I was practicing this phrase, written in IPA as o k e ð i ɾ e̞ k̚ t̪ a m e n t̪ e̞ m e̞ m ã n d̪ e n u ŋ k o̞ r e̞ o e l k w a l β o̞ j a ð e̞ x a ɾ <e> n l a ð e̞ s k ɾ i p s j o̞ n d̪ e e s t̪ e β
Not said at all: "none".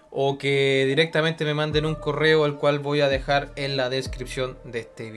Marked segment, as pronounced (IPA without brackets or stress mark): e